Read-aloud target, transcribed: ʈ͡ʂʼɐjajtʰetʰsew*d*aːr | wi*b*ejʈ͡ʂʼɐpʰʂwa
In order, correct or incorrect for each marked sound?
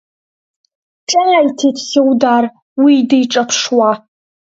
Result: correct, incorrect: d

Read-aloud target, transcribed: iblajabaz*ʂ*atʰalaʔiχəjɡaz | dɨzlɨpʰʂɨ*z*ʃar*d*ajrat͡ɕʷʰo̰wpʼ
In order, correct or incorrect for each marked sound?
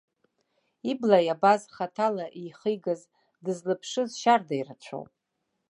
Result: incorrect: χ, correct, correct

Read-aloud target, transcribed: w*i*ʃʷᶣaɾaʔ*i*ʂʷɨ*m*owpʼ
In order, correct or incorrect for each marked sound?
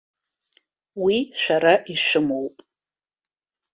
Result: correct, correct, correct

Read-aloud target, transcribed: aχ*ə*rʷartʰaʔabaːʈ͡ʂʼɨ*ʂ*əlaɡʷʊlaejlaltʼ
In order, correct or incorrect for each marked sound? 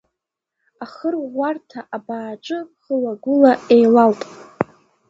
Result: correct, incorrect: χ

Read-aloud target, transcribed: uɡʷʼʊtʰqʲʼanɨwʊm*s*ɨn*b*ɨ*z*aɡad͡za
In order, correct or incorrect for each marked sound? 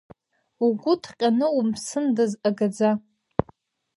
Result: correct, incorrect: d, correct

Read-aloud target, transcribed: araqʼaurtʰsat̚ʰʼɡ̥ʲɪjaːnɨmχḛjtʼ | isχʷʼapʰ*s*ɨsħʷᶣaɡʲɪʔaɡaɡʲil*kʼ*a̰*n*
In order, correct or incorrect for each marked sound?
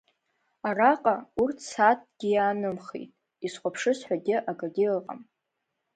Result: incorrect: ʂ, incorrect: qʼ, incorrect: m

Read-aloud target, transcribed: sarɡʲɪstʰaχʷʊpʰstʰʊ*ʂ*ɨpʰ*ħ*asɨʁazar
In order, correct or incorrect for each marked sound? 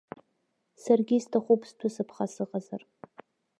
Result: incorrect: s, incorrect: χ

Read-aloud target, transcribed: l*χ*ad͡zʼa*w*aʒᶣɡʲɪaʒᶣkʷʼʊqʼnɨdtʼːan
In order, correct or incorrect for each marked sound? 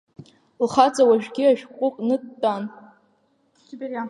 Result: correct, correct

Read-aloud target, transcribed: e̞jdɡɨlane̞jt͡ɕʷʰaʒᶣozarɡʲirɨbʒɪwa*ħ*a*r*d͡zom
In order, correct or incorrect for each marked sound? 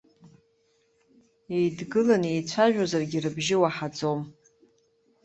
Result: correct, incorrect: none

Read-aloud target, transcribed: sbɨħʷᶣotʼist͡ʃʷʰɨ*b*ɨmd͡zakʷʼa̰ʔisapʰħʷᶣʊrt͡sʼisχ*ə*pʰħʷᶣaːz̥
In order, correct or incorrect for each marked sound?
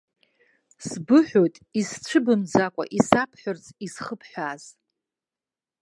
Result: correct, correct

